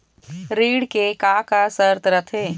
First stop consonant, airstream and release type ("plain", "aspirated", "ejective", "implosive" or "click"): plain